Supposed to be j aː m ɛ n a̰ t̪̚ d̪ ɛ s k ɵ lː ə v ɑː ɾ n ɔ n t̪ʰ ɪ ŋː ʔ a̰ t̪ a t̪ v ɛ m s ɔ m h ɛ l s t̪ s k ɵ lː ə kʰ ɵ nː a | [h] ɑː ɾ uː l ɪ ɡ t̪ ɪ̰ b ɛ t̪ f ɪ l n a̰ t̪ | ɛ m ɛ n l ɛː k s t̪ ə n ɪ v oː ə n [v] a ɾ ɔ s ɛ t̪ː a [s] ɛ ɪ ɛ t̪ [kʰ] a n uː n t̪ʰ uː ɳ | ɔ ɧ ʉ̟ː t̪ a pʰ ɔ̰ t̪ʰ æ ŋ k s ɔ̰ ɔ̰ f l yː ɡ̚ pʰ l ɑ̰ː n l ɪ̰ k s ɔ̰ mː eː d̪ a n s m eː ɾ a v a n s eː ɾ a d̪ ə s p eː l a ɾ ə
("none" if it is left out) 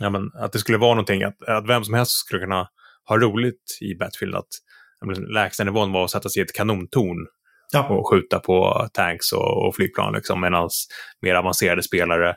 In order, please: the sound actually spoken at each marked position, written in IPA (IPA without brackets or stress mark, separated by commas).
h, v, s, kʰ